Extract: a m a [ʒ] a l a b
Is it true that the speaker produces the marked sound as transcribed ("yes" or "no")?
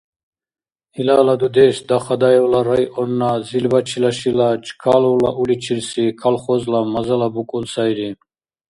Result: no